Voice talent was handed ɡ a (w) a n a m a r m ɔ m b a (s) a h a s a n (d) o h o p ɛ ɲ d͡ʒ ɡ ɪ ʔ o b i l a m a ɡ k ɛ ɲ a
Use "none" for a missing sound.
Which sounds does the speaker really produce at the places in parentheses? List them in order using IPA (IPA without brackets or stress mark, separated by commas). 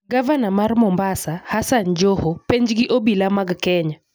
v, s, d͡ʒ